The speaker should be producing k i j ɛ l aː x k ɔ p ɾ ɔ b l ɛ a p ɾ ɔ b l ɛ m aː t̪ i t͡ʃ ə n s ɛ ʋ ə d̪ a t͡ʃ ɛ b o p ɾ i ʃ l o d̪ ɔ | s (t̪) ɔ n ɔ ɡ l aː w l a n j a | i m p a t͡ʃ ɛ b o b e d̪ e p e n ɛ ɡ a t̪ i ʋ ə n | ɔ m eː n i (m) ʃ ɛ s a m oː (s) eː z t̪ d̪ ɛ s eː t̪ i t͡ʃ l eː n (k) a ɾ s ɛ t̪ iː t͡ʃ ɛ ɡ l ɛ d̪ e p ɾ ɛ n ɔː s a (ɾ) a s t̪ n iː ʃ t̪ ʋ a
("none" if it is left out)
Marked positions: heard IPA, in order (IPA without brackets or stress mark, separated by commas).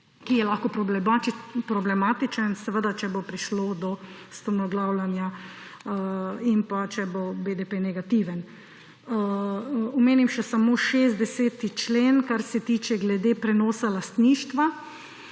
t̪, m, ʃ, k, l